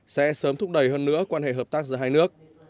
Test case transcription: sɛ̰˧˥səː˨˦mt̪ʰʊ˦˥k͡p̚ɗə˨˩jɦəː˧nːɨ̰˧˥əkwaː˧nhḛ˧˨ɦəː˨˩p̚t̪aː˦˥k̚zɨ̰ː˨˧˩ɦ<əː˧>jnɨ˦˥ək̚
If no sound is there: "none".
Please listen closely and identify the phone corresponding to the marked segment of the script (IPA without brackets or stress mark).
aː˧